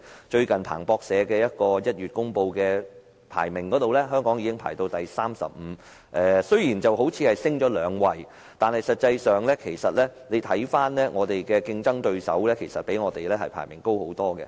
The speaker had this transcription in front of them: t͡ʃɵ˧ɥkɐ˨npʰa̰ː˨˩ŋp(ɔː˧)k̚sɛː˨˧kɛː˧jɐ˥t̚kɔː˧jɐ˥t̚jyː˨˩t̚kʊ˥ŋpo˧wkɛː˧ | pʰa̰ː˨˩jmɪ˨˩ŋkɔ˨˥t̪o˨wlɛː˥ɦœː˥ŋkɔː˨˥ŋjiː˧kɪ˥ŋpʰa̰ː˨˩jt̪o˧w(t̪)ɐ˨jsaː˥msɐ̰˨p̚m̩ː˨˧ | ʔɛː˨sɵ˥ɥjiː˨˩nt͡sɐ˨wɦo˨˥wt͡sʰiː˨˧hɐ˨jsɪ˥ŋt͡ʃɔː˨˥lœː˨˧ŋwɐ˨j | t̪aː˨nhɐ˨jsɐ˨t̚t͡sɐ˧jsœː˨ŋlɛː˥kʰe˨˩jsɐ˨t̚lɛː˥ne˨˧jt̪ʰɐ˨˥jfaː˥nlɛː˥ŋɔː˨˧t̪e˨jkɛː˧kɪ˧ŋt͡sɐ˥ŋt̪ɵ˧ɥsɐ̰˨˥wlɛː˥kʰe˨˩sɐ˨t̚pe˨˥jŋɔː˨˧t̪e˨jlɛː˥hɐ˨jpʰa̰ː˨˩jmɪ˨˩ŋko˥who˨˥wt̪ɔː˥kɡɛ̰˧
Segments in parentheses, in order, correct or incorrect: correct, correct

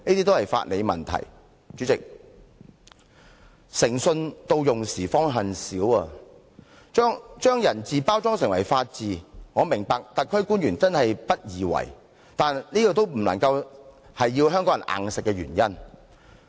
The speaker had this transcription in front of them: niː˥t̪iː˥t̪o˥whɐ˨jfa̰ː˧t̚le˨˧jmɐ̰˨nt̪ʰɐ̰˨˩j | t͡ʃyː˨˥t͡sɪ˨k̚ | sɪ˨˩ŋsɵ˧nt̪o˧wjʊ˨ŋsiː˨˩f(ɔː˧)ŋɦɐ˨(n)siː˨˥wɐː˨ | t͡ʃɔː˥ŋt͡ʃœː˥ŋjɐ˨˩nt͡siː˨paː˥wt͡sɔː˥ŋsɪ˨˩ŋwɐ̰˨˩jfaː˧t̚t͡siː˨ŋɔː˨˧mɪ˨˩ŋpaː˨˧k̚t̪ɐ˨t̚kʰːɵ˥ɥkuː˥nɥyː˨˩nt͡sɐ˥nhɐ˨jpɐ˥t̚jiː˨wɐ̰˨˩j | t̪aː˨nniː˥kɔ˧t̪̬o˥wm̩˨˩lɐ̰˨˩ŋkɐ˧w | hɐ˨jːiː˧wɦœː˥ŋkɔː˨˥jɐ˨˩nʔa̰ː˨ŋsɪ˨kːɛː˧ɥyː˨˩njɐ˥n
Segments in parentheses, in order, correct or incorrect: incorrect: ɔː˥, correct

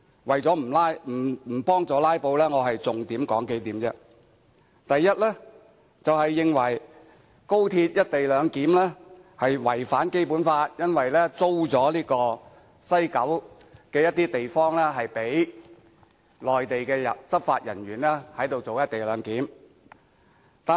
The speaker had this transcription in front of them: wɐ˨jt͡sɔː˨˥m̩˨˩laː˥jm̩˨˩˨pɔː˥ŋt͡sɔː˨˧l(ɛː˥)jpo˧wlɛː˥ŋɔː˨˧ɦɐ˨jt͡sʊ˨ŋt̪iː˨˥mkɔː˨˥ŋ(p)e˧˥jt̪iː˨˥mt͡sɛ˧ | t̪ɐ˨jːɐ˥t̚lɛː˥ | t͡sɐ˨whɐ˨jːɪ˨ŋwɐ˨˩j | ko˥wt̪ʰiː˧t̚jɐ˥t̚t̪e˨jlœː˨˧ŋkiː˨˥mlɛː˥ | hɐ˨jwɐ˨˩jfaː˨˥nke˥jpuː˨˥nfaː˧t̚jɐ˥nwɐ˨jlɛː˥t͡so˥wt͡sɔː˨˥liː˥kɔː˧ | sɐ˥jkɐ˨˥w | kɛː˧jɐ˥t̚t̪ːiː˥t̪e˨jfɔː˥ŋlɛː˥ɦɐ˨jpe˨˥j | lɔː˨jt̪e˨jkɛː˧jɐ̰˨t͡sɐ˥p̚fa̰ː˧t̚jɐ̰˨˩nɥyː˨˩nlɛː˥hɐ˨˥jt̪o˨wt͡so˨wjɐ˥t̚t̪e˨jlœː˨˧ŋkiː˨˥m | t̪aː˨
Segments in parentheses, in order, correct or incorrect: incorrect: aː˥, incorrect: k

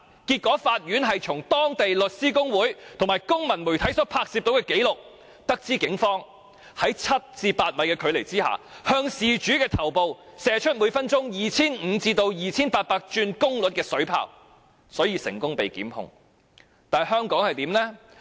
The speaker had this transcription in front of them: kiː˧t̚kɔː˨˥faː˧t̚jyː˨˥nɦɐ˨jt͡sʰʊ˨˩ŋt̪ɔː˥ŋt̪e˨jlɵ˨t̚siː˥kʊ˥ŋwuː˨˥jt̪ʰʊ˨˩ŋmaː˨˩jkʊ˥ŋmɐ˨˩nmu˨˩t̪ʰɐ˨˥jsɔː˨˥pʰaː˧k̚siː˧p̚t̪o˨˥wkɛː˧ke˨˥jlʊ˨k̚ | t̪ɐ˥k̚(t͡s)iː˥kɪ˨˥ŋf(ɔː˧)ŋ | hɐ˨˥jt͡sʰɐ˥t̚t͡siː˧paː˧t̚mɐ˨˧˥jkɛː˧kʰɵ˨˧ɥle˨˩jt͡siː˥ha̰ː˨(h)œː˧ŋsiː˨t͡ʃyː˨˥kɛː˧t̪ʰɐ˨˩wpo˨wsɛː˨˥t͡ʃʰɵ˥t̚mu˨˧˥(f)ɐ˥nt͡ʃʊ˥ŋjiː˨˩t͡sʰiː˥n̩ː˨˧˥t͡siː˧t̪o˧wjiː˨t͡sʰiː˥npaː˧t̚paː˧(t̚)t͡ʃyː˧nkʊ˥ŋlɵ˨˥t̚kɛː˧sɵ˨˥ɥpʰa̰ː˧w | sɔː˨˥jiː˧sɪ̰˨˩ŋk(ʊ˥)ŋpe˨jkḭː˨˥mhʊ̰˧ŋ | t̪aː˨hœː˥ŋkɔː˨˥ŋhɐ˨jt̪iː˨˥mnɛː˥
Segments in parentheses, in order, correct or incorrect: correct, incorrect: ɔː˥, correct, correct, incorrect: k̚, correct

